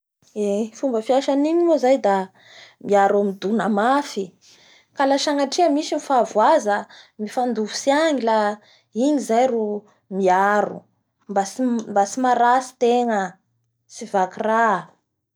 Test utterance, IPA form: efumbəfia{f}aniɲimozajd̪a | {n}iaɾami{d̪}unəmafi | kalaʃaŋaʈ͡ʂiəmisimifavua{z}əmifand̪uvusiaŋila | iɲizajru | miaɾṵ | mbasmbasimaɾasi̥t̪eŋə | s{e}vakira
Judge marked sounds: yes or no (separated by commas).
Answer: no, no, yes, yes, no